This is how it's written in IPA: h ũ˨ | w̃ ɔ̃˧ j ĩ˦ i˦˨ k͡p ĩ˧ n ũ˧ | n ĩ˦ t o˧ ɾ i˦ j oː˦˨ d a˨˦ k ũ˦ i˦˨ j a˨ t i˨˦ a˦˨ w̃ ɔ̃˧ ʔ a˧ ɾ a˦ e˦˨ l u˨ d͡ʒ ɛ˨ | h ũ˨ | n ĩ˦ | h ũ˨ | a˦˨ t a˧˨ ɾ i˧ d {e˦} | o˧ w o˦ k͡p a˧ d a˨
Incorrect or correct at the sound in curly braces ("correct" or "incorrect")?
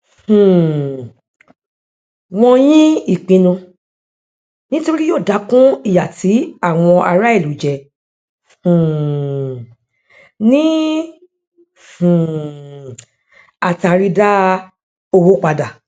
incorrect